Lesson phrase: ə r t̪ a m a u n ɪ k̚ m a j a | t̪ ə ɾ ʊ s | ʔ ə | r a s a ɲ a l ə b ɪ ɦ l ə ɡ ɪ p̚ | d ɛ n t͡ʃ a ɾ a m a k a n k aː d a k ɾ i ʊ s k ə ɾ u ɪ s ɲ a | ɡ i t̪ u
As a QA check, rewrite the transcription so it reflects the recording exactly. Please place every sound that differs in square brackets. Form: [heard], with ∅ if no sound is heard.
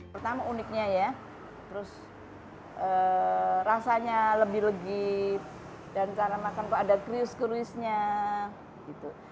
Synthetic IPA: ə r t̪ a m a u n ɪ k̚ [ɲ] a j a | t̪ ə ɾ ʊ s | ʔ ə | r a s a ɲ a l ə b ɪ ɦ l ə ɡ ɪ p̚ | d [a] n t͡ʃ a ɾ a m a k a n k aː d a k ɾ i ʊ s k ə ɾ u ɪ s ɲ a | ɡ i t̪ u